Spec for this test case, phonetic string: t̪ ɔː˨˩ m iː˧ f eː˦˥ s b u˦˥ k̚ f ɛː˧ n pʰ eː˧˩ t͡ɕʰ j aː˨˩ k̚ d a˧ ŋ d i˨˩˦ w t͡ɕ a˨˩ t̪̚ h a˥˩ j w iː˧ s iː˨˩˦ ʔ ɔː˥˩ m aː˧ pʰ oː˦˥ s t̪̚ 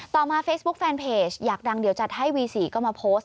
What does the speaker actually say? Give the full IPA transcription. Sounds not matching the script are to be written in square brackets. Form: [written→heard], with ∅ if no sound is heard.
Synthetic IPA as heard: t̪ ɔː˨˩ m [iː˧→aː˧] f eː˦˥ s b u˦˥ k̚ f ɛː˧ n pʰ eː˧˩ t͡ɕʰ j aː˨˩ k̚ d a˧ ŋ d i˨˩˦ w t͡ɕ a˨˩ t̪̚ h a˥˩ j w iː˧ s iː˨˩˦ [ʔ→k] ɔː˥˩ m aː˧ pʰ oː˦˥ s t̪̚